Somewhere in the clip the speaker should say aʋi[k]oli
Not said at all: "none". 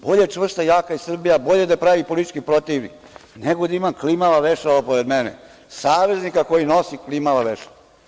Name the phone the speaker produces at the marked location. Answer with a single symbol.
p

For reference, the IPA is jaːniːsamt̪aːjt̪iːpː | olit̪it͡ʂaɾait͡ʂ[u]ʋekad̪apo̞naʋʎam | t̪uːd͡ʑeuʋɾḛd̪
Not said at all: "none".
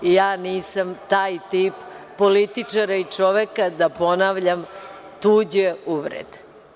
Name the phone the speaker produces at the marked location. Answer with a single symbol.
o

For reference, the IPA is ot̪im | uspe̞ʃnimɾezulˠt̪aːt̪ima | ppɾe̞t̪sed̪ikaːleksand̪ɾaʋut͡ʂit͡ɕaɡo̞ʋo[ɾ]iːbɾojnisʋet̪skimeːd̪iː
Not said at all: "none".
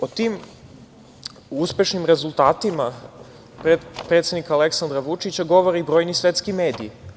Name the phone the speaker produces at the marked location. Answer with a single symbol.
ɾ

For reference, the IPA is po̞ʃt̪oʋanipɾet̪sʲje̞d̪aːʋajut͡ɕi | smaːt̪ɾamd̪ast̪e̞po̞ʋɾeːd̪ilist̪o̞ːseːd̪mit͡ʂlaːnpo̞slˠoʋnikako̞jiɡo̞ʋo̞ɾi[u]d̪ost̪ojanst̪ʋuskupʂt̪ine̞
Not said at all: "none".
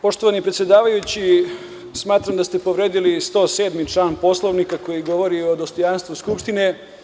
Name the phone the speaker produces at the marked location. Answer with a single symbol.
o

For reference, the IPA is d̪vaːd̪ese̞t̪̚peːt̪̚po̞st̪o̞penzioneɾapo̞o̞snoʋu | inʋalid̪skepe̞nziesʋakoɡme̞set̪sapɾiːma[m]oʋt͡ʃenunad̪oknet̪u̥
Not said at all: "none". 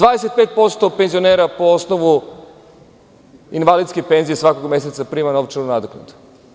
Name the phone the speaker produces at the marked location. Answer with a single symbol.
n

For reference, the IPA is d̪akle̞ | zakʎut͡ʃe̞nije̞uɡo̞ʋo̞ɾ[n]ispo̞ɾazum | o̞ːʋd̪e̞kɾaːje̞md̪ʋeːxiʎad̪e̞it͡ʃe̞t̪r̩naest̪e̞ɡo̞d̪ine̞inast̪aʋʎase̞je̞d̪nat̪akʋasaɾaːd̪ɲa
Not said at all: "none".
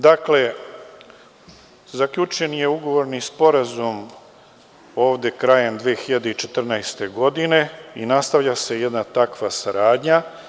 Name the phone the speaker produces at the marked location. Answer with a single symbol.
n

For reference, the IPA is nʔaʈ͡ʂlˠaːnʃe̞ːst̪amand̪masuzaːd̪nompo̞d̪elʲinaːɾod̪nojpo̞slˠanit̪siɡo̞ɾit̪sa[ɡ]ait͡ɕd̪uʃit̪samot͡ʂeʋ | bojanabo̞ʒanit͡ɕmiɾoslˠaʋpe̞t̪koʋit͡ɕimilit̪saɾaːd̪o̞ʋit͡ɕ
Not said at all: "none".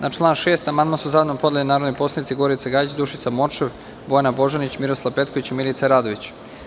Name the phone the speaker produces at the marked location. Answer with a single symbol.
ɡ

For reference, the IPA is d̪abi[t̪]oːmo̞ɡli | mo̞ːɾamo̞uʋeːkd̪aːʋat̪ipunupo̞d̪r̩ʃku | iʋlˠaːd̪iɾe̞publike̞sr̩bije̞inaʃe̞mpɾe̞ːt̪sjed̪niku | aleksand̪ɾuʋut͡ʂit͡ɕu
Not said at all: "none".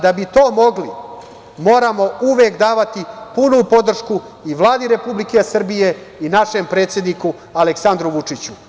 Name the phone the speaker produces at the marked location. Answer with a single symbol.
t̪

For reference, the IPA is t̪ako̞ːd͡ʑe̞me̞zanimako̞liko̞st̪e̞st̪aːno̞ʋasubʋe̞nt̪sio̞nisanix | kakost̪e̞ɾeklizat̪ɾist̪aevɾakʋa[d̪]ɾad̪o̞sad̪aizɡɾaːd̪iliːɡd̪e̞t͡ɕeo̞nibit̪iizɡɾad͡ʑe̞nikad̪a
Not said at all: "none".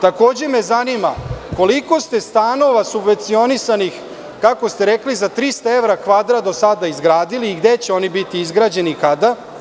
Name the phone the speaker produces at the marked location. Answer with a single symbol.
d̪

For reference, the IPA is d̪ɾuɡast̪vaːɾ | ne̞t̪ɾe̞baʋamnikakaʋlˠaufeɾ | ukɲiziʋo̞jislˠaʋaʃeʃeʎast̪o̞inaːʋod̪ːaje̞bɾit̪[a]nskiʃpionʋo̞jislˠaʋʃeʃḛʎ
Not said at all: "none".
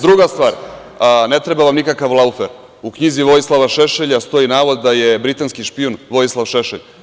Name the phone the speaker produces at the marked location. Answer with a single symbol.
a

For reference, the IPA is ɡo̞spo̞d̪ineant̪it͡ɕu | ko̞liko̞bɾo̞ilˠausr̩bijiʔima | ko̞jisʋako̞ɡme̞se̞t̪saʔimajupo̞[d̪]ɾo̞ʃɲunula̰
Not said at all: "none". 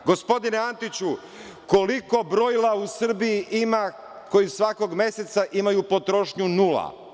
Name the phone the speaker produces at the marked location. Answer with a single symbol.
t̪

